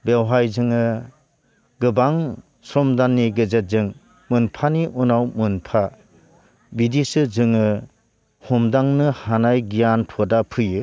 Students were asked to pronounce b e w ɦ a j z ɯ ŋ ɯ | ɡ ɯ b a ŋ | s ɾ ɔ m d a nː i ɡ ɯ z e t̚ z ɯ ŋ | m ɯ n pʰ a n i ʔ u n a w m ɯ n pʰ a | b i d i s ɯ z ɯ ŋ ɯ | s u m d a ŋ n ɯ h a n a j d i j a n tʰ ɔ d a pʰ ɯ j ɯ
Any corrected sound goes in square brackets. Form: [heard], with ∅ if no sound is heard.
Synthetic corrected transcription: b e w ɦ a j z ɯ ŋ ɯ | ɡ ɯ b a ŋ | s ɾ ɔ m d a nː i ɡ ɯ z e t̚ z ɯ ŋ | m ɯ n pʰ a n i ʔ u n a w m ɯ n pʰ a | b i d i s ɯ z ɯ ŋ ɯ | [h] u m d a ŋ n ɯ h a n a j [ɡ] i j a n tʰ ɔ d a pʰ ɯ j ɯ